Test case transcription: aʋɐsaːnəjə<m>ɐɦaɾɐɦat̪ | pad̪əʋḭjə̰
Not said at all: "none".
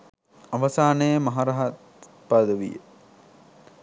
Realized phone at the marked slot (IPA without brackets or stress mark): m